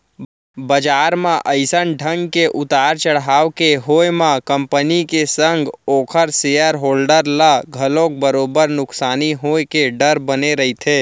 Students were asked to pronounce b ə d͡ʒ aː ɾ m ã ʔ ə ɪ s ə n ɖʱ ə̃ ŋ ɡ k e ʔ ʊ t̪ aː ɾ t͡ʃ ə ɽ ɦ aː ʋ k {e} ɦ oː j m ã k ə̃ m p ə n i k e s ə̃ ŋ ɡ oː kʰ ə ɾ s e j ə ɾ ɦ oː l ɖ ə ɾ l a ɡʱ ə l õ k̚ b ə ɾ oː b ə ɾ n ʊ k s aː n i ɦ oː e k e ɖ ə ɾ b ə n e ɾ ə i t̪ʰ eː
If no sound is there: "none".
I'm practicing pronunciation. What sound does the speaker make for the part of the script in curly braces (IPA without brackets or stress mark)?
e